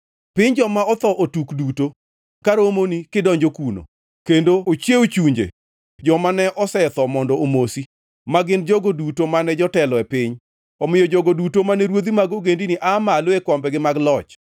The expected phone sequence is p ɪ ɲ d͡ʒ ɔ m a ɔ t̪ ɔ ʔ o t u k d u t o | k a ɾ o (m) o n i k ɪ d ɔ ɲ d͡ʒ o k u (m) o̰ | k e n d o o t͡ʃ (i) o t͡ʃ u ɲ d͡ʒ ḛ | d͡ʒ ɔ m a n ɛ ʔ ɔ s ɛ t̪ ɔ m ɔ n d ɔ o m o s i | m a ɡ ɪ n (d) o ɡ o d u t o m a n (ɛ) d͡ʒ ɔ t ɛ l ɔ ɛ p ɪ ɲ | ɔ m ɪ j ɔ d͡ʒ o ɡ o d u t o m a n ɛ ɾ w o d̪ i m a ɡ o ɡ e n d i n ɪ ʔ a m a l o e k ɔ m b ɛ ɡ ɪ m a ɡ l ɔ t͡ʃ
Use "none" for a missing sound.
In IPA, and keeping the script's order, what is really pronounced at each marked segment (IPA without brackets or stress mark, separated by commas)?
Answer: m, n, e, d͡ʒ, ɛ